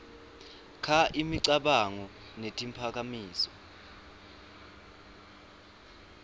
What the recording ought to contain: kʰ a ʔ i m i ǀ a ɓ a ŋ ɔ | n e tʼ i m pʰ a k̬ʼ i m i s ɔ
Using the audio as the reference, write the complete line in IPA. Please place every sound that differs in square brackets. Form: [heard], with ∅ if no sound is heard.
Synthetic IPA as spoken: kʰ a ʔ i m i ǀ a ɓ a ŋ ɔ | n e tʼ i m pʰ a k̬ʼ [a] m [iː] s ɔ

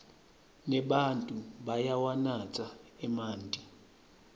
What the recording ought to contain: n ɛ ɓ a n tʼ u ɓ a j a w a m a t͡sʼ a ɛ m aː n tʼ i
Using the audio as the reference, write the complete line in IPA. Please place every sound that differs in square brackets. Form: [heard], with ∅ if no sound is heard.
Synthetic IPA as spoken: n ɛ ɓ a n tʼ u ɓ a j a w a [n] a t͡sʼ a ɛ m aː n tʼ i

